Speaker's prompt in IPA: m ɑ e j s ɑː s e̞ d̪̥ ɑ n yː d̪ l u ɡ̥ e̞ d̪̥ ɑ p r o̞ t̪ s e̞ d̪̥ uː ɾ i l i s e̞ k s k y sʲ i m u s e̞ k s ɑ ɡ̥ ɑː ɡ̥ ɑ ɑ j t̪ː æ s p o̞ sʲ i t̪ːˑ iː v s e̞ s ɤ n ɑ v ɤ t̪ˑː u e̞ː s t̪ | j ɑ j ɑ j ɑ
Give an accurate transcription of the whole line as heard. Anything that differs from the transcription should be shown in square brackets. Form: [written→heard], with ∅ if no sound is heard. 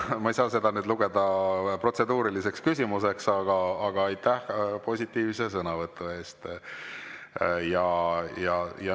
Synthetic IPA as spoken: m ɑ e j s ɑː s e̞ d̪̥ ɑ n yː d̪ l u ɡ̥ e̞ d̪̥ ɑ p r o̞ t̪ s e̞ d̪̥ uː ɾ i l i s e̞ k s k y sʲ i m u s e̞ k s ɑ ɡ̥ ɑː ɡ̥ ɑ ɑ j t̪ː æ [s→h] p o̞ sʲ i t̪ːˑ iː v s e̞ s ɤ n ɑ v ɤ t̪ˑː u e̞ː s t̪ | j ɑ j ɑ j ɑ

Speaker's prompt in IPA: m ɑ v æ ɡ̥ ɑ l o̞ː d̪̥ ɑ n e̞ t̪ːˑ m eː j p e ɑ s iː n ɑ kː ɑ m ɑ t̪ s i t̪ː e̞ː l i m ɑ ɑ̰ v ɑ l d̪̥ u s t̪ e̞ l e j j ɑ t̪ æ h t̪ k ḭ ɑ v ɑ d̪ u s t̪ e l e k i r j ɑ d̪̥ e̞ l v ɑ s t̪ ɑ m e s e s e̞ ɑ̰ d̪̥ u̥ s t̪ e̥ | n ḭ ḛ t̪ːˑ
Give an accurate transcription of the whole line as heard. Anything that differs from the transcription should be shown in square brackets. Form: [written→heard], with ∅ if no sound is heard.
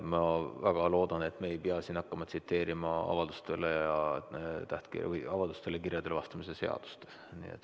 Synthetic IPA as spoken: m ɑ v æ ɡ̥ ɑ l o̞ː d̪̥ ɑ n e̞ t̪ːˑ m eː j p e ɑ s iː n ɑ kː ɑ m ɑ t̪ s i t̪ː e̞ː [l→ɾ] i m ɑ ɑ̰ v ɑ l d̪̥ u s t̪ e̞ l e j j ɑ t̪ æ h t̪ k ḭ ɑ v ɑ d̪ u s t̪ e l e k i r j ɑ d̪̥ e̞ l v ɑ s t̪ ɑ m [e→i] s e s e̞ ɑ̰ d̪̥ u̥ s t̪ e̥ | n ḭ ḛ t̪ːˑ

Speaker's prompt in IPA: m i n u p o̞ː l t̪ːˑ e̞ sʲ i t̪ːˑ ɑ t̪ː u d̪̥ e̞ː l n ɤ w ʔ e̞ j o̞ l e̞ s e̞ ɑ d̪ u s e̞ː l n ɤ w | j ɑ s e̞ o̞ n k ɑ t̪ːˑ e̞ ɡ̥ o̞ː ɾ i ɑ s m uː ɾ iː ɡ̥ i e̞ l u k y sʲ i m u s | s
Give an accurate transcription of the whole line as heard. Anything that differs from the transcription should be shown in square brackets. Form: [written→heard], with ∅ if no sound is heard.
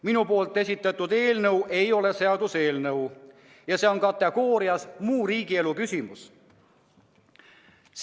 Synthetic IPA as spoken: m i n u p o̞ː l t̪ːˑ e̞ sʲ i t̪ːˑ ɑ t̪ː u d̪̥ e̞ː l n ɤ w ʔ e̞ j o̞ l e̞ s e̞ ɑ d̪ u s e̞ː l n ɤ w | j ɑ s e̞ o̞ n k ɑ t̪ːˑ e̞ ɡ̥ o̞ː ɾ i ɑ s m uː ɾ iː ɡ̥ i e̞ l u k y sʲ i m u s | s

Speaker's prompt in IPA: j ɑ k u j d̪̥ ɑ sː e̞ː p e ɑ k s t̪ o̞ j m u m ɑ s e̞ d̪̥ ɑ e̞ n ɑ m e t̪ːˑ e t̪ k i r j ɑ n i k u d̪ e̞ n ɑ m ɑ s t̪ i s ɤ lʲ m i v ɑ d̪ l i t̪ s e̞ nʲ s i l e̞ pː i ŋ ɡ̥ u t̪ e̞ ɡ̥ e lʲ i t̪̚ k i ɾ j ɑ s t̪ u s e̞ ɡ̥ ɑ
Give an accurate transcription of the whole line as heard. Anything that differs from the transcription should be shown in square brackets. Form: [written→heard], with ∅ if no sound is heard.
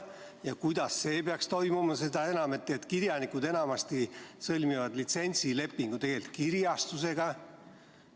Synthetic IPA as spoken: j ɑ k u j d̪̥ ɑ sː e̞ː p e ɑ k s t̪ o̞ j m u m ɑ s e̞ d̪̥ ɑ e̞ n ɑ m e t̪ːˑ e t̪ k i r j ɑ n i k u d̪ e̞ n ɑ m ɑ s t̪ i s ɤ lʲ m i v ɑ d̪ l i t̪ s e̞ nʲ s i l e̞ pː i ŋ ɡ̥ u t̪ e̞ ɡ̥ e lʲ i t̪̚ k i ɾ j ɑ s t̪ u s e̞ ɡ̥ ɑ

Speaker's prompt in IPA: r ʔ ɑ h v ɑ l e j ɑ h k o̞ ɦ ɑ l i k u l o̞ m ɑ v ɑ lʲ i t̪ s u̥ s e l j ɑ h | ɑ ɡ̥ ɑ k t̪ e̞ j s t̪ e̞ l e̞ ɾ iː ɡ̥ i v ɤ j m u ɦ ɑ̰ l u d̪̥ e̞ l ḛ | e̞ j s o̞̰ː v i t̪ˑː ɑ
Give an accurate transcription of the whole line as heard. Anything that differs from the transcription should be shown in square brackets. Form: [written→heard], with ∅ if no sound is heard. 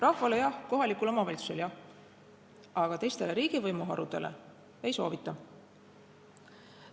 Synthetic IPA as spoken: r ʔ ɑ h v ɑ l e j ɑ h k o̞ ɦ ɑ l i k u l o̞ m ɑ v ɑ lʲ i t̪ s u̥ s e l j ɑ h | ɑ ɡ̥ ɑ [k→∅] t̪ e̞ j s t̪ e̞ l e̞ ɾ iː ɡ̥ i v ɤ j m u ɦ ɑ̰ [l→ɾ] u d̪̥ e̞ l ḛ | e̞ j s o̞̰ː v i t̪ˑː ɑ

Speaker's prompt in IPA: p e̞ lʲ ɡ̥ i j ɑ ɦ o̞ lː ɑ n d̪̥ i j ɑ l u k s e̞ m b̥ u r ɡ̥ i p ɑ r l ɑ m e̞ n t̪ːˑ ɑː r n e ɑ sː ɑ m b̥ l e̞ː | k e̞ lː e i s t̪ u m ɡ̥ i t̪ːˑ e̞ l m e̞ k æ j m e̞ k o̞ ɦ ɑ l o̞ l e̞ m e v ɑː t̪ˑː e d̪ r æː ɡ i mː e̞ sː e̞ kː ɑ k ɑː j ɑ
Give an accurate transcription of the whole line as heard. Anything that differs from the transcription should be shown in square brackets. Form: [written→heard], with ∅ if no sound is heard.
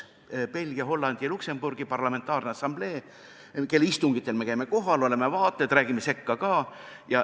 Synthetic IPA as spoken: p e̞ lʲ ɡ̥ i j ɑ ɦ o̞ lː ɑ n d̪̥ i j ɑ l u k s e̞ m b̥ u r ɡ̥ i p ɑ r l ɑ m e̞ n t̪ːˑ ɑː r n e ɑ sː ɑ m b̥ l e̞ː | k e̞ lː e i s t̪ u [m→ŋ] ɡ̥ i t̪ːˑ e̞ l m e̞ k æ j m e̞ k o̞ ɦ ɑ l o̞ l e̞ m e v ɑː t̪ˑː e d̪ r æː ɡ i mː e̞ [sː→s] e̞ kː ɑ k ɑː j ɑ

